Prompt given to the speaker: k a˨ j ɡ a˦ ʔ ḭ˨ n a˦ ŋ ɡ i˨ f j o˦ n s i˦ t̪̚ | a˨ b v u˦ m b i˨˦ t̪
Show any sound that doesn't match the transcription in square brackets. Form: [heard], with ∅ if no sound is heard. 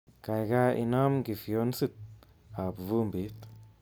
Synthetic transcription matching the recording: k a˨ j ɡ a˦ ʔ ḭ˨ n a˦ [m] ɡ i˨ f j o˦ n s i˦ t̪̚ | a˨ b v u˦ m b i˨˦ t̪